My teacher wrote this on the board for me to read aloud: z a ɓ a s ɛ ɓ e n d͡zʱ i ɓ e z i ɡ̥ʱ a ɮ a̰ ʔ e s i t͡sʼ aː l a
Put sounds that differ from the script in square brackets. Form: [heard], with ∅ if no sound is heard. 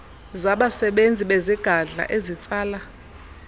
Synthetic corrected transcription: z a ɓ a s ɛ ɓ e n d͡zʱ i ɓ e z i ɡ̥ʱ a ɮ a̰ ʔ e [z] i t͡sʼ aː l a

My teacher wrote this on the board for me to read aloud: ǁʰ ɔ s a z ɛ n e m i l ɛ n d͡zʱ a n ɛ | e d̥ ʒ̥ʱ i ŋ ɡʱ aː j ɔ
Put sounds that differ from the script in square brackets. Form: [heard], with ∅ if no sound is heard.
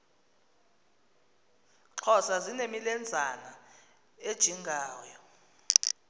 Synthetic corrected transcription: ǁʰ ɔ s a z [i] n e m i l ɛ n d͡zʱ a n [a] | e d̥ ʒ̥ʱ i ŋ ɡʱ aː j ɔ

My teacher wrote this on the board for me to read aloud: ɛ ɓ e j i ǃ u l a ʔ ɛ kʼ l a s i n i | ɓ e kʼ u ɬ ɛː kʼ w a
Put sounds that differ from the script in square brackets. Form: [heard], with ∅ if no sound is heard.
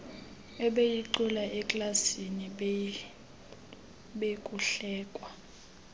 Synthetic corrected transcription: ɛ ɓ e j i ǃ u l a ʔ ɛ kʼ l a s i n i | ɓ e kʼ u ɬ ɛː kʼ w a

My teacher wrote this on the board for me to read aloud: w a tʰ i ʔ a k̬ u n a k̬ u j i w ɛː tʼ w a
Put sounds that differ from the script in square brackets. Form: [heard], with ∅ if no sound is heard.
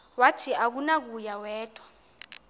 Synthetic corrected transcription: w a tʰ i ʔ a k̬ u n a k̬ u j [a] w ɛː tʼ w a

